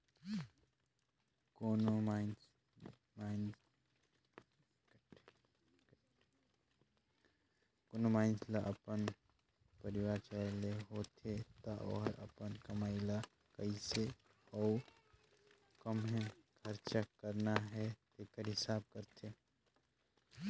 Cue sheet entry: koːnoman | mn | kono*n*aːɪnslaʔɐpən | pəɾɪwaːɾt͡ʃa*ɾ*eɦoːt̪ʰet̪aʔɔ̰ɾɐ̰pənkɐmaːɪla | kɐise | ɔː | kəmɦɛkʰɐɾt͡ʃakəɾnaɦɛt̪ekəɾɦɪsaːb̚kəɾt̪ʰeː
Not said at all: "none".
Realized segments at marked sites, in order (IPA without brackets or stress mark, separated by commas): m, l